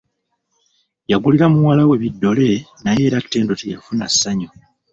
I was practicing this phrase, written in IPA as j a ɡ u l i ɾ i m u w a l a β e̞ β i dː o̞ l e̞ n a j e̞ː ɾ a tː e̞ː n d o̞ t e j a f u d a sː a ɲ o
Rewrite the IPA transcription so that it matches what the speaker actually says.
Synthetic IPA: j a ɡ u l i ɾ a m u w a l a w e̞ β i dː o̞ l e̞ n a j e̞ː ɾ a tː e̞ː n d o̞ t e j a f u n a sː a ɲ o